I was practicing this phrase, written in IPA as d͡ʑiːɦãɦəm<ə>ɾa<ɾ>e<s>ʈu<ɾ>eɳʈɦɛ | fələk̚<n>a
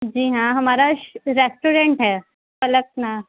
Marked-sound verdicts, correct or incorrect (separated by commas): incorrect, correct, correct, correct, correct